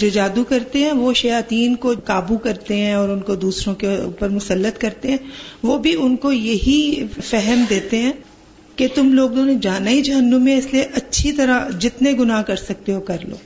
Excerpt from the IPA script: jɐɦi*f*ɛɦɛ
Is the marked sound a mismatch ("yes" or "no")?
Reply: no